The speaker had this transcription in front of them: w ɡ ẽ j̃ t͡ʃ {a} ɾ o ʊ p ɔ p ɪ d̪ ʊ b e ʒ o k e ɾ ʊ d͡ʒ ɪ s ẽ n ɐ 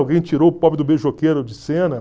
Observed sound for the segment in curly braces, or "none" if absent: i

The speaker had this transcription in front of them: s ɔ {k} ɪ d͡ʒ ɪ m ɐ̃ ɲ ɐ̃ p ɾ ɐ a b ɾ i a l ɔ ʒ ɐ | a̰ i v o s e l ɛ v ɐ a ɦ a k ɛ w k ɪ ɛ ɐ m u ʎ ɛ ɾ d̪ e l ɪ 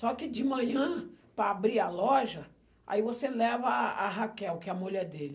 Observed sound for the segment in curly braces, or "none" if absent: k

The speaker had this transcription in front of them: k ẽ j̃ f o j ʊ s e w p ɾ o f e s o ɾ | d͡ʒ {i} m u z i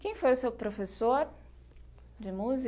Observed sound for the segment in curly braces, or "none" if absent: ɪ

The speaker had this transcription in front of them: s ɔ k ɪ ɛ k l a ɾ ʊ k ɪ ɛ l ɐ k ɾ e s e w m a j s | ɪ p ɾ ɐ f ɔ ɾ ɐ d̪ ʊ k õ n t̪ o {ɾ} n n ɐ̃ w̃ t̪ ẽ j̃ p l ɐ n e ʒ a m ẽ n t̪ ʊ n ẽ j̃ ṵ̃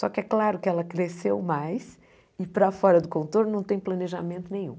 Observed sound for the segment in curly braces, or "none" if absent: ɾ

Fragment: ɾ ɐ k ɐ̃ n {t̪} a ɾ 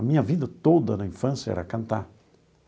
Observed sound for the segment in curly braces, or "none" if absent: t̪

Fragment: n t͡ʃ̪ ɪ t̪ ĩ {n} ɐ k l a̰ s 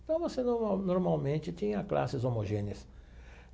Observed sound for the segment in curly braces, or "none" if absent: ɲ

